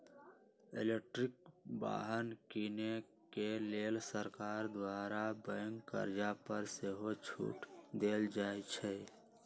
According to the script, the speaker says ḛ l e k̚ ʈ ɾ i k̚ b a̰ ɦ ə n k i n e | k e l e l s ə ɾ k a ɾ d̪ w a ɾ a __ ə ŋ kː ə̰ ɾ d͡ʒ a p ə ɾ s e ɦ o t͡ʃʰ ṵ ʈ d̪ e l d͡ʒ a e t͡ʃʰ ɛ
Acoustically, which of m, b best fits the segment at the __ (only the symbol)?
b